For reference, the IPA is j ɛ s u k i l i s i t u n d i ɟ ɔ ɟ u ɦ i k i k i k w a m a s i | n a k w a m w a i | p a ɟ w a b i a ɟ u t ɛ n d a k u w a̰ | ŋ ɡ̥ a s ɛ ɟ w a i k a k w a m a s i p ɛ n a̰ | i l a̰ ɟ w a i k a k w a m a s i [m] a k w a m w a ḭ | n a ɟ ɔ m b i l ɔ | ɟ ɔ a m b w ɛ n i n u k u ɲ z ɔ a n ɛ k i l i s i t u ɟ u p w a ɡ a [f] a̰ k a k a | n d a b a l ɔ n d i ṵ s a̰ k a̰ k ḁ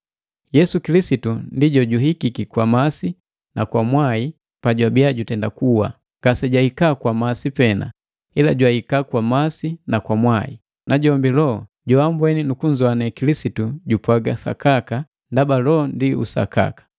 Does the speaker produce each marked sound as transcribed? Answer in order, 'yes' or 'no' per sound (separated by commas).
no, no